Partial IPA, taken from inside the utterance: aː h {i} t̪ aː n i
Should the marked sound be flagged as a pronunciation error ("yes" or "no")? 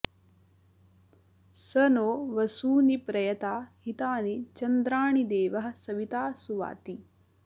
no